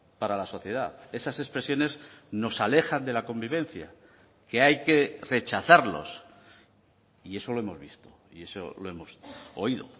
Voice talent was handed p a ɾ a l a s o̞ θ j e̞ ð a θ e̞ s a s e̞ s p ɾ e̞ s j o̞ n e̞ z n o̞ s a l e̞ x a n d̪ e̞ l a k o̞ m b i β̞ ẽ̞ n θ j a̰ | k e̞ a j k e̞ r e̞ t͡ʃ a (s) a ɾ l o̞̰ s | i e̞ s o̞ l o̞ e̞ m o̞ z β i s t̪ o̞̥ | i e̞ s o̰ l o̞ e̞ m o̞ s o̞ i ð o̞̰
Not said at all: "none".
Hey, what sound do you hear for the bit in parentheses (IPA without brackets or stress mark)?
θ